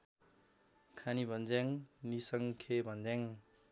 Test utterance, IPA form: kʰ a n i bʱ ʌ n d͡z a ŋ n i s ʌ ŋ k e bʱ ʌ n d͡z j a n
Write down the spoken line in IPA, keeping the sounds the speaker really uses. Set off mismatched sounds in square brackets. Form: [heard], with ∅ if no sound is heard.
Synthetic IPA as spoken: kʰ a n i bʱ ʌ n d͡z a ŋ n i s ʌ ŋ [kʰ] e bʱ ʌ n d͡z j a [ŋ]